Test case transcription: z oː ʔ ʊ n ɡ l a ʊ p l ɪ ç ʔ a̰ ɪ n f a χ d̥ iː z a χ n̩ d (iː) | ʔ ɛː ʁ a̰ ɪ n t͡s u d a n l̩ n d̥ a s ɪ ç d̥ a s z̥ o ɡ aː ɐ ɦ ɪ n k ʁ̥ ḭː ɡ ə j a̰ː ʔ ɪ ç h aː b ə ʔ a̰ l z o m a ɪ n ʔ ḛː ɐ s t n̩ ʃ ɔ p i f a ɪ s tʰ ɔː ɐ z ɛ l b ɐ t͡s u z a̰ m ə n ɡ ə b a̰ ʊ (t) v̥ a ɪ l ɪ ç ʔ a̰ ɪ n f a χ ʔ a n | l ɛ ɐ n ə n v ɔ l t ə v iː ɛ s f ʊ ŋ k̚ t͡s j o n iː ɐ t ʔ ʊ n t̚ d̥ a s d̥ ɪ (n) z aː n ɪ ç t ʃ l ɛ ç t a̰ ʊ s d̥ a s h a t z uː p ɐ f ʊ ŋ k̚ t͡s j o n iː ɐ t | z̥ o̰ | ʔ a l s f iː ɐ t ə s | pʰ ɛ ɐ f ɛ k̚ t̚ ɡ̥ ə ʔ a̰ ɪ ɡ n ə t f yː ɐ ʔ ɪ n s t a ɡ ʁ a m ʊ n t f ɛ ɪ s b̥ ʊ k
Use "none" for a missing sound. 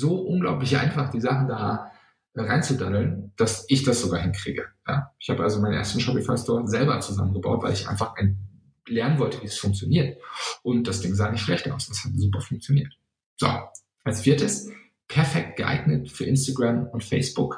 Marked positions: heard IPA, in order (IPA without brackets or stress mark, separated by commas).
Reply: aː, t, ŋ